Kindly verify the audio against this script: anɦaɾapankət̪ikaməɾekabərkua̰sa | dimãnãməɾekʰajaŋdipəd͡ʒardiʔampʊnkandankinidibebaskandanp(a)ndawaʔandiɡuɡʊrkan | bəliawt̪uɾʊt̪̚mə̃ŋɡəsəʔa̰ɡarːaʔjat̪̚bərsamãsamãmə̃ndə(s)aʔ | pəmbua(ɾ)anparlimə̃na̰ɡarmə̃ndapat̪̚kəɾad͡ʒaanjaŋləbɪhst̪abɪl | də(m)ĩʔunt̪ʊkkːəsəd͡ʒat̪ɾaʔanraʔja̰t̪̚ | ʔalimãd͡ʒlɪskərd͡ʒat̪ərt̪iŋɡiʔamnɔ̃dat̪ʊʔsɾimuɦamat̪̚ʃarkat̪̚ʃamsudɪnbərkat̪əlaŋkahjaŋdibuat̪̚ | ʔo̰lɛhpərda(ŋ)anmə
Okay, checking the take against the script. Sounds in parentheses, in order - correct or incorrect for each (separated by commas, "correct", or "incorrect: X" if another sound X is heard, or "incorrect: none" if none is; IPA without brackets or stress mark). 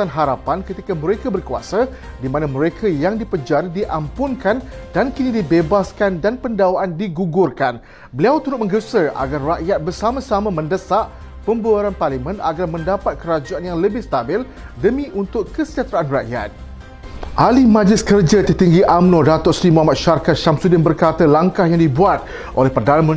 incorrect: ə, correct, correct, correct, incorrect: n